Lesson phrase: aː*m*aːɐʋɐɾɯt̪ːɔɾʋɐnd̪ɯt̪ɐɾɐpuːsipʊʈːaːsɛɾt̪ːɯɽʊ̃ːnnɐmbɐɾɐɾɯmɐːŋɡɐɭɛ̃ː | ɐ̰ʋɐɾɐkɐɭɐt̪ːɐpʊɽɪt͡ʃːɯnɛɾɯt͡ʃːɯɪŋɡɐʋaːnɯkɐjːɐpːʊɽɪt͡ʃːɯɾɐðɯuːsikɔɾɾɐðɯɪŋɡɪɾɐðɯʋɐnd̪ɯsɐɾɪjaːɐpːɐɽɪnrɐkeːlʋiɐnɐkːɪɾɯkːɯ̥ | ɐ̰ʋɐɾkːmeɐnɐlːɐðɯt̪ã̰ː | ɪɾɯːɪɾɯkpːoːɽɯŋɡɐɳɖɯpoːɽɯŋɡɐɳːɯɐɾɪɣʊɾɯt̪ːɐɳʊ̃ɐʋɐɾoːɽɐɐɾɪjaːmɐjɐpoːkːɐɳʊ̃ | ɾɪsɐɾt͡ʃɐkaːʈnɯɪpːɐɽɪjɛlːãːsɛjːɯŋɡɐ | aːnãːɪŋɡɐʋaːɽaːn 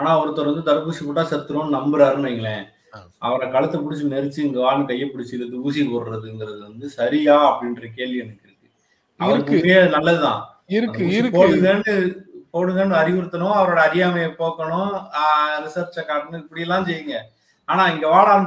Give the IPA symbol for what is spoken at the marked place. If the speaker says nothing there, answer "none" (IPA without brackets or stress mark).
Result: n